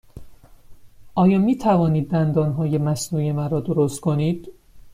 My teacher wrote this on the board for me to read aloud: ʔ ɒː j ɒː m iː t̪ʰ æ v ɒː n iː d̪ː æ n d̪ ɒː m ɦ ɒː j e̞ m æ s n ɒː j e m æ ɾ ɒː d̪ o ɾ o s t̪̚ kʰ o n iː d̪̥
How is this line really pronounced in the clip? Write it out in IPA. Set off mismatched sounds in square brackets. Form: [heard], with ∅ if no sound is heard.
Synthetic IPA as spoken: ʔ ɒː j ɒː m iː t̪ʰ æ v ɒː n iː d̪ː æ n d̪ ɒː [n] ɦ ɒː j e̞ m æ s n [uː] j e m æ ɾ ɒː d̪ o ɾ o s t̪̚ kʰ o n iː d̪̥